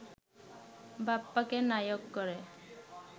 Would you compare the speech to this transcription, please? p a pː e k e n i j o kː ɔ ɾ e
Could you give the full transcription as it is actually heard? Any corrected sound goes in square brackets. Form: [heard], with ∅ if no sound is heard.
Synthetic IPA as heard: [b] a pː [a] k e n [a] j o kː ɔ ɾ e